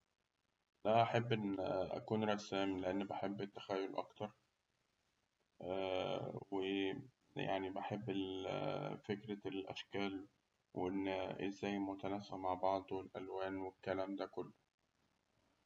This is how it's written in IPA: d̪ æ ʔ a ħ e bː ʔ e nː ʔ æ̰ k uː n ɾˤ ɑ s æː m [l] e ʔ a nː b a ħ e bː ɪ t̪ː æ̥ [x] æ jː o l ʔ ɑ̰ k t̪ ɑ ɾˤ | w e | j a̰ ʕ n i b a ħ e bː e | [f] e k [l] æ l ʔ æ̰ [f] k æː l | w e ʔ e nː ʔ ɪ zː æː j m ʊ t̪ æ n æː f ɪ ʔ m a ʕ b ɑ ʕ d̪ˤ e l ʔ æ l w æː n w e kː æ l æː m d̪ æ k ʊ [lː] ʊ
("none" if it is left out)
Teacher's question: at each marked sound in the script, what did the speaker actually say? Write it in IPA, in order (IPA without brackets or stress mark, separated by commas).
l, x, f, ɾ, ʃ, lː